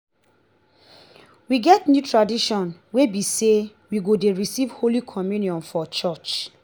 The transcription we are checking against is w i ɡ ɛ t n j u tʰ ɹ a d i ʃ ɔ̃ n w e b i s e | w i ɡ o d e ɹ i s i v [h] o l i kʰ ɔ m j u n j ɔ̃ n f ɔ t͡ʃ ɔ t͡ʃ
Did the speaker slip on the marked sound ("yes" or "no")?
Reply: no